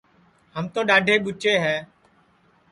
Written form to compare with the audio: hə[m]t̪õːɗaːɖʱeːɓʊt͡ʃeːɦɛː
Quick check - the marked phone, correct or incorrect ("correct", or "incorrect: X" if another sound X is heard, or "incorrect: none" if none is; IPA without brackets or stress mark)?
correct